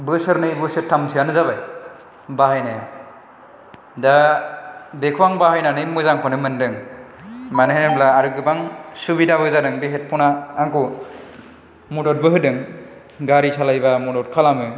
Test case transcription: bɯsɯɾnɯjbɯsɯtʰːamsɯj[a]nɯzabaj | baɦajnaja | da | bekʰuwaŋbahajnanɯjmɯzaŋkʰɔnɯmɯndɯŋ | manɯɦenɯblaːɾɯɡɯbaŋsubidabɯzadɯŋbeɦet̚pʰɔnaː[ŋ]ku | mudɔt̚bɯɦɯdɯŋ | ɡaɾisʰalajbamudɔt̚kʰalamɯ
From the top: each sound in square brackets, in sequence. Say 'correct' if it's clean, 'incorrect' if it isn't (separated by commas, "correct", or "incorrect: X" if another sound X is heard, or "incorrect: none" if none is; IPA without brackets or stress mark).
correct, correct